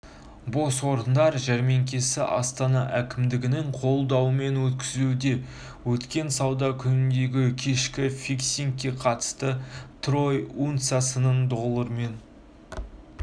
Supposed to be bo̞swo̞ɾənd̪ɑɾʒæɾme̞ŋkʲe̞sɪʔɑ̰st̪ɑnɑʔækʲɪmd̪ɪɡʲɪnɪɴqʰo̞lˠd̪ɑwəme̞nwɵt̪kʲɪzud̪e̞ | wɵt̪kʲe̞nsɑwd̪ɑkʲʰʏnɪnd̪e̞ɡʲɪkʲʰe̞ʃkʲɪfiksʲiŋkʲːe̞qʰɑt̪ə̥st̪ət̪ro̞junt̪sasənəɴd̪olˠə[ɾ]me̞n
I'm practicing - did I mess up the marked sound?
no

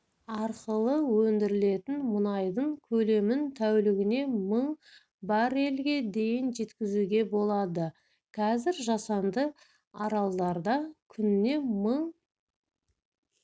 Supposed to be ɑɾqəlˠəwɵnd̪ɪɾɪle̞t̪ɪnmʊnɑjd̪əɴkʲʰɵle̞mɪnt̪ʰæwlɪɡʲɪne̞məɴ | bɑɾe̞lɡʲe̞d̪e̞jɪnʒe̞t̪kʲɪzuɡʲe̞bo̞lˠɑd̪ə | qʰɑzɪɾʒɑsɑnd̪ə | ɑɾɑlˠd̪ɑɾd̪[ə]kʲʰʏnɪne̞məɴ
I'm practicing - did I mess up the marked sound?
yes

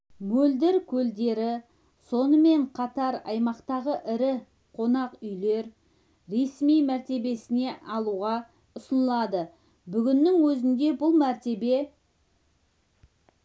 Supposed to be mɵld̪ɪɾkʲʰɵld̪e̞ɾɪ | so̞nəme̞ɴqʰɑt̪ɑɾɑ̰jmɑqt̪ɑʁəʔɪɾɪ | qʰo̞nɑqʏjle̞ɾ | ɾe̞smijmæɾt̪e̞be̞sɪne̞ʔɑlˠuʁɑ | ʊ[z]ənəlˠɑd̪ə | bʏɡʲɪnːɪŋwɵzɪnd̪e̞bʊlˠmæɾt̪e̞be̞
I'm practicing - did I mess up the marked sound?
yes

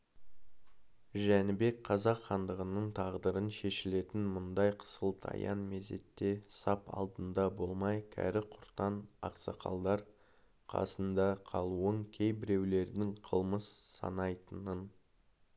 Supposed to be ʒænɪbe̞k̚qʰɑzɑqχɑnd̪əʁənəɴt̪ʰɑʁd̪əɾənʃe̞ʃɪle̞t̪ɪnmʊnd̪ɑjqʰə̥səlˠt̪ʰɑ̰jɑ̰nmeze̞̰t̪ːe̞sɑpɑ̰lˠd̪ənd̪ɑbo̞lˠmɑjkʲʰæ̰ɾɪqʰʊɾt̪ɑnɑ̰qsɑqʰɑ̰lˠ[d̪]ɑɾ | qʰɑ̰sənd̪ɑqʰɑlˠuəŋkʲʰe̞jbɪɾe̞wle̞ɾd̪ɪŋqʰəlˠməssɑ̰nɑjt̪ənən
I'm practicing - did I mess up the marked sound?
no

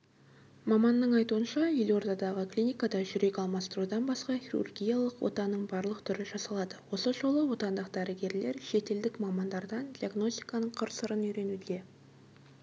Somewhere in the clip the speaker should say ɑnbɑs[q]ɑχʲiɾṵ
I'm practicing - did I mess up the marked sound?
no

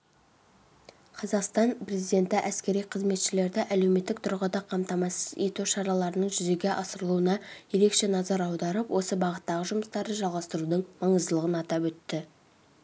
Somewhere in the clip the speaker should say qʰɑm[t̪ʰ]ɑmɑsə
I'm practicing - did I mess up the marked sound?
yes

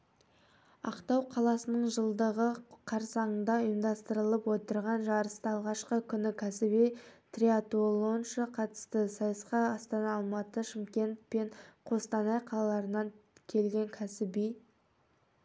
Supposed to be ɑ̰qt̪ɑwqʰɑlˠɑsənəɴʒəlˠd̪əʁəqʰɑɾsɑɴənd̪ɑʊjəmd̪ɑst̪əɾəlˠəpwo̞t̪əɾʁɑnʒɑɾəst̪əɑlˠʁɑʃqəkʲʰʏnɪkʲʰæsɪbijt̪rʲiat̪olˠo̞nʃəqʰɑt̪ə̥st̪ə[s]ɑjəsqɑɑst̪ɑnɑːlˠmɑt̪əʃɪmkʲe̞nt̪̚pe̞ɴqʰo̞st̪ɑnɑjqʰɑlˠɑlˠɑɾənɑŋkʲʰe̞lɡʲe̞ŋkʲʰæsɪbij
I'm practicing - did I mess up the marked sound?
no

